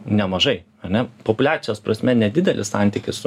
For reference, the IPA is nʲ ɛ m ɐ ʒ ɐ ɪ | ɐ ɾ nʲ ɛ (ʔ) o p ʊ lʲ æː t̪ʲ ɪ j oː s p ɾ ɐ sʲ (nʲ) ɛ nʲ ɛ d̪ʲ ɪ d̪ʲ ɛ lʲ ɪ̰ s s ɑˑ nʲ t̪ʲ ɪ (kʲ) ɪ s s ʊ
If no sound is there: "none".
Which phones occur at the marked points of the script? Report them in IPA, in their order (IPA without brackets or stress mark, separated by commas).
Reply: p, mʲ, kʲ